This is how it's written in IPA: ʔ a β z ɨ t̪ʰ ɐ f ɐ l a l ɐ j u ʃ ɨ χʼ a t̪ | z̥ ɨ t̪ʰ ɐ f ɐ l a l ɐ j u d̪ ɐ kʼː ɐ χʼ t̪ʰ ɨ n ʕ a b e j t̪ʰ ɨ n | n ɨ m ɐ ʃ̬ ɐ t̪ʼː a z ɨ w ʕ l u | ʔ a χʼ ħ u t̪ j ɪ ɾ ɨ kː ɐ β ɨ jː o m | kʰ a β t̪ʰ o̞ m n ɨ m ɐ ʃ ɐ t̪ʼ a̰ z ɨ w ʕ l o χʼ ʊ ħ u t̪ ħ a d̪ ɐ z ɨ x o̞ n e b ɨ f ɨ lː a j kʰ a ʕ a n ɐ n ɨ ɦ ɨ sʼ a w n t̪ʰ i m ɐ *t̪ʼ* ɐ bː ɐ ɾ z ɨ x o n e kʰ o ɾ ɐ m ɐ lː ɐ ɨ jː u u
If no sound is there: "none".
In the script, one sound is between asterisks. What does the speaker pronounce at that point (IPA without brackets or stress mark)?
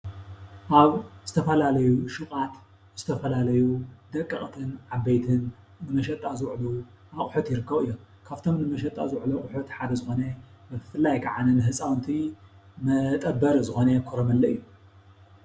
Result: t̪ʼ